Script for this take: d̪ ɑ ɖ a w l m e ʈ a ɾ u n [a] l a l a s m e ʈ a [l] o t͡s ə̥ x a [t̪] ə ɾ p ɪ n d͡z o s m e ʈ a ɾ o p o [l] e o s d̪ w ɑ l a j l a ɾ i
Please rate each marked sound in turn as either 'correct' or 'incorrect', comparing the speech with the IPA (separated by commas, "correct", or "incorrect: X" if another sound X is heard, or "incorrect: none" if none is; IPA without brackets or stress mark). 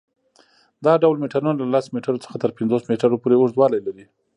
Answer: correct, incorrect: ɾ, correct, incorrect: ɾ